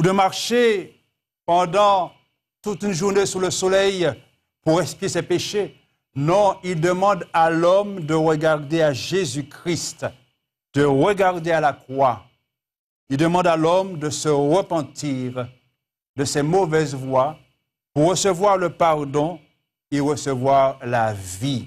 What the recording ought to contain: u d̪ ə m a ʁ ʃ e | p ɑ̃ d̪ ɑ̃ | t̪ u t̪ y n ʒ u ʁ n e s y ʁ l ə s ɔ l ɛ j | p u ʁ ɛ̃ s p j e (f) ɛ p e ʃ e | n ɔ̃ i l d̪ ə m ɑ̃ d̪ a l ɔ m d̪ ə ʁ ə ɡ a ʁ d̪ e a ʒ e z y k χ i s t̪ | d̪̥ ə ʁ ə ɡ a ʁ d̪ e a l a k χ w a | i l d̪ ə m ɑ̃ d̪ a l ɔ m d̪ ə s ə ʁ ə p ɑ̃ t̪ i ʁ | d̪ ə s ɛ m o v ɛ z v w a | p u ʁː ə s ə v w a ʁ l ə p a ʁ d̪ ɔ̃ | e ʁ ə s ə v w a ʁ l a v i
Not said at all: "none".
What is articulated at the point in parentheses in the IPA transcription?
s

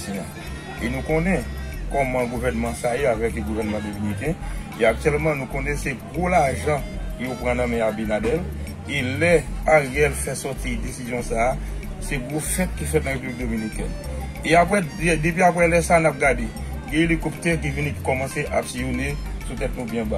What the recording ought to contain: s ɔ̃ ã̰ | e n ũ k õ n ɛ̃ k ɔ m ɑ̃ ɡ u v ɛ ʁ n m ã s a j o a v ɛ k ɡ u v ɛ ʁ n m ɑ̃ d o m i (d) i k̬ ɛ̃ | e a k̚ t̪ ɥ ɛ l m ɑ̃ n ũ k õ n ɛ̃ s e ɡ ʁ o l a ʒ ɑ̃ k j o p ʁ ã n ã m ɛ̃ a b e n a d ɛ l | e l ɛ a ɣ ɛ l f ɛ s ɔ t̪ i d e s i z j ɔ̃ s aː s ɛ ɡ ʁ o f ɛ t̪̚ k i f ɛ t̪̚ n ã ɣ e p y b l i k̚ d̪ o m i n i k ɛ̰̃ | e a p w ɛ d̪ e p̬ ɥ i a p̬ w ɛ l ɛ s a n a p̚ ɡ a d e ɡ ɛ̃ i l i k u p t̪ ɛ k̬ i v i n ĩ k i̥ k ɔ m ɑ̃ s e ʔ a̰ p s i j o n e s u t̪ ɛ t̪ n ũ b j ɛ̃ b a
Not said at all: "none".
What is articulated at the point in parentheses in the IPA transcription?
n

